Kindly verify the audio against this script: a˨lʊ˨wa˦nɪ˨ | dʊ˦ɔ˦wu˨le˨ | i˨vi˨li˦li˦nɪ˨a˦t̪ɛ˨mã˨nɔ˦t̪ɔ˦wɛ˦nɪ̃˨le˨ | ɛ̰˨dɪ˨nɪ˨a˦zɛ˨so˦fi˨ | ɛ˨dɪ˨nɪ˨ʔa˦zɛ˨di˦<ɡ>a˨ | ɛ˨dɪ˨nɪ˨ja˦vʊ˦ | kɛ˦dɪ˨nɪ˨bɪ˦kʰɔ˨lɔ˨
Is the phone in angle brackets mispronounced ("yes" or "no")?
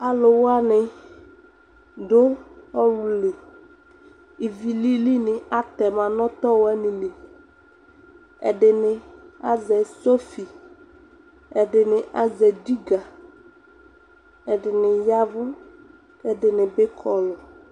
no